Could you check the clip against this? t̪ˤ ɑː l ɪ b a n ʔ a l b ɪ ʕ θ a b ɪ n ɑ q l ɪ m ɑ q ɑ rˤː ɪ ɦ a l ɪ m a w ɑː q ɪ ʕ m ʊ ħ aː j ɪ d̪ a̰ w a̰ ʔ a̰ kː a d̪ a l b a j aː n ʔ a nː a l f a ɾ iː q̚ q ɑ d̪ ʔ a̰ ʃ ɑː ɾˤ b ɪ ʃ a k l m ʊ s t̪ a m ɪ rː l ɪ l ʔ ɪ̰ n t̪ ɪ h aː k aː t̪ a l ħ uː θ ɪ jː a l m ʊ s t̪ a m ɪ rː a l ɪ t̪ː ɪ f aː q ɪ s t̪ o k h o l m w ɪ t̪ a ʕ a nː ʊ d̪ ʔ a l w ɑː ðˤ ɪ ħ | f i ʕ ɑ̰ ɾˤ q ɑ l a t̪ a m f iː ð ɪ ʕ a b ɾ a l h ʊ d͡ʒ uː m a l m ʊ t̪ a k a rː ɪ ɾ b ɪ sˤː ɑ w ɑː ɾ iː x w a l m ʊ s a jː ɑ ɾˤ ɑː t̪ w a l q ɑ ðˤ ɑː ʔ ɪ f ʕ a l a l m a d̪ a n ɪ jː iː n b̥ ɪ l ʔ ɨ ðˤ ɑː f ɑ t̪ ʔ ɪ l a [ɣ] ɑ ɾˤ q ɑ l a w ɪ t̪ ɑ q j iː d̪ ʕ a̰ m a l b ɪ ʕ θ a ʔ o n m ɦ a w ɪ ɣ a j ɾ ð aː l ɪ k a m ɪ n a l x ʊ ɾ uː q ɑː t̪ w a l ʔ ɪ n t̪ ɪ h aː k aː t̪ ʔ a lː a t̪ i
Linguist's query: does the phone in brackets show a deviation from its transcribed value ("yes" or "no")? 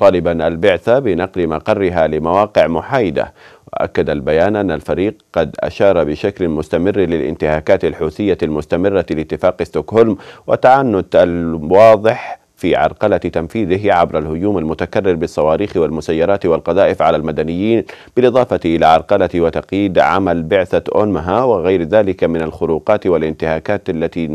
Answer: yes